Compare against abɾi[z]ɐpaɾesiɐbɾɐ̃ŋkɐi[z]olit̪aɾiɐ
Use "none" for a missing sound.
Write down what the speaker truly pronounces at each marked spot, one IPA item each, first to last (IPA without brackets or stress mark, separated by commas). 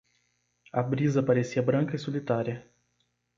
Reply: z, s